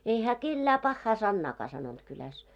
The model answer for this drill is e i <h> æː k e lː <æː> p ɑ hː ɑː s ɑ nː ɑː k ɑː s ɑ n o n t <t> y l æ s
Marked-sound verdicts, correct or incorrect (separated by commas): correct, correct, incorrect